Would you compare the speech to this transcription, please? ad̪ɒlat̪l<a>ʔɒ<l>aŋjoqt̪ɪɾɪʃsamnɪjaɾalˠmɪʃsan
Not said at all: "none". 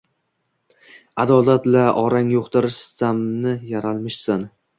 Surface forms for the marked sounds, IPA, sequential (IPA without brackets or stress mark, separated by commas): a, ɾ